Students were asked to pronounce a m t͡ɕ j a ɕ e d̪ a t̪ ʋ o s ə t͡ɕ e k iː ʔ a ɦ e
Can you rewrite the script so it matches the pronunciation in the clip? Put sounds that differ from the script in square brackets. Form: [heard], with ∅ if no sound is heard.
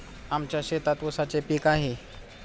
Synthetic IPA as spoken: a m t͡ɕ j a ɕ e [t̪] a t̪ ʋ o s [a] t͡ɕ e [p] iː [k] a ɦ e